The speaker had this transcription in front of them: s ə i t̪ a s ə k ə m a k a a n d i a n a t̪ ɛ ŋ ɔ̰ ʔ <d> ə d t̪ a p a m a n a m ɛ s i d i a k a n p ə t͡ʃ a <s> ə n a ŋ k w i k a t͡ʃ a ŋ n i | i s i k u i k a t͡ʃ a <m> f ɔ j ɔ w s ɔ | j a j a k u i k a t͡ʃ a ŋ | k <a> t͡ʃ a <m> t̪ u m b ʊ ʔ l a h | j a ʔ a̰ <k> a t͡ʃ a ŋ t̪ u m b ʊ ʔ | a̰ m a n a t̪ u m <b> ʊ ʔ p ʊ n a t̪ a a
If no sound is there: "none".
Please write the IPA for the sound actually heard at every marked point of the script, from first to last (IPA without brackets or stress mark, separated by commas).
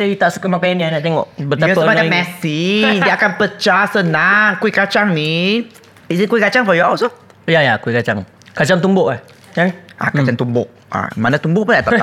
b, s, ŋ, a, ŋ, k, b